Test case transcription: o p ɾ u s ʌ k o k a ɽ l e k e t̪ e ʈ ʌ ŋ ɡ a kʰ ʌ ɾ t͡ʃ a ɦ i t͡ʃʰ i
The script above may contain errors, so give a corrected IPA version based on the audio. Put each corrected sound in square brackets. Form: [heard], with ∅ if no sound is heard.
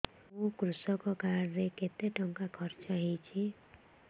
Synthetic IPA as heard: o [k] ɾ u s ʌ k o k a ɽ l e k e t̪ e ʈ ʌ ŋ [k] a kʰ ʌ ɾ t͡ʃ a ɦ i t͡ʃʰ i